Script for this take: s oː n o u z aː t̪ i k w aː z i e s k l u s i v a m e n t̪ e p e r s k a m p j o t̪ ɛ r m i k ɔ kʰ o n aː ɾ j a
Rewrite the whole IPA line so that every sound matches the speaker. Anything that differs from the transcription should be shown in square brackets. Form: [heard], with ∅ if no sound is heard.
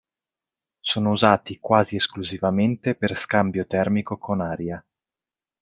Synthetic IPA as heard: s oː n o u z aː t̪ i k w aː z i e s k l u [z] i v a m e n t̪ e p e r s k a m [b] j o t̪ ɛ r m i k [o] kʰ o n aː ɾ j a